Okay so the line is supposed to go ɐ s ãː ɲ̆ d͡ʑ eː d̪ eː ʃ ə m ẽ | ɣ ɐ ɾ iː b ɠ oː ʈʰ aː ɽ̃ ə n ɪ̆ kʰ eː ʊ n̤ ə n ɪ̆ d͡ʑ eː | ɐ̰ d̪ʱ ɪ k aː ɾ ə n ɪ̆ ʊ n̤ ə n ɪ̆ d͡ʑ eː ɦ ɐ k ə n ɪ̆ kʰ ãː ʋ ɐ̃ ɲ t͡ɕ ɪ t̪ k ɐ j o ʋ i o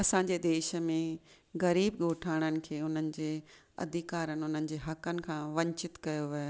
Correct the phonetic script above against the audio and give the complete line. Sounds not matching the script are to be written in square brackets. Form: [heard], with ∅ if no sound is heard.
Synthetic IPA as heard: ɐ s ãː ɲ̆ d͡ʑ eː d̪ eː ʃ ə m ẽ | ɣ ɐ ɾ iː b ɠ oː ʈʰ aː ɽ̃ ə n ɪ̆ kʰ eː ʊ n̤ ə n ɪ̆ d͡ʑ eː | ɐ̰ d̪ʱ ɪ k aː ɾ ə n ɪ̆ ʊ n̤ ə n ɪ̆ d͡ʑ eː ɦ ɐ k ə n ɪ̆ kʰ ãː ʋ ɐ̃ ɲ t͡ɕ ɪ t̪ k ɐ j o ʋ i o